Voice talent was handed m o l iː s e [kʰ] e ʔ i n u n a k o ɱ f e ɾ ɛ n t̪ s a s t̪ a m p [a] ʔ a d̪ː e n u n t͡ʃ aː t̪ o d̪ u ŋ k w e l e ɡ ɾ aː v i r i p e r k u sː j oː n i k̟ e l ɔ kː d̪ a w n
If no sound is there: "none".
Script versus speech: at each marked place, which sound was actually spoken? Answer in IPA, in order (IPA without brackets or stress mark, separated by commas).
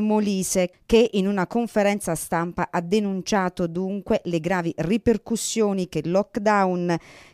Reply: k, a